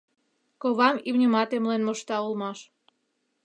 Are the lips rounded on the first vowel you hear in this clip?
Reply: yes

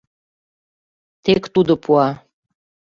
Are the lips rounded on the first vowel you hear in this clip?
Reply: no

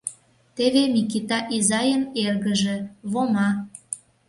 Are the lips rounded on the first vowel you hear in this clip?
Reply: no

